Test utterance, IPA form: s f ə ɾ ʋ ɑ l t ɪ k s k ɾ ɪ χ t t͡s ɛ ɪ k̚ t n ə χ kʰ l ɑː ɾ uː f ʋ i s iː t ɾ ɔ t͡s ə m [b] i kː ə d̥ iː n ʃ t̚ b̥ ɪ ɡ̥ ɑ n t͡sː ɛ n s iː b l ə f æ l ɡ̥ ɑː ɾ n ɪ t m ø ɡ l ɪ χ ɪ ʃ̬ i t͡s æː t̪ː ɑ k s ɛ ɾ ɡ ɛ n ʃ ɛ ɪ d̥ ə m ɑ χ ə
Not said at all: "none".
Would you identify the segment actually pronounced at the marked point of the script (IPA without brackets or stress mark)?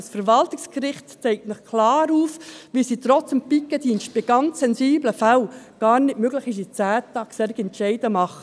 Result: p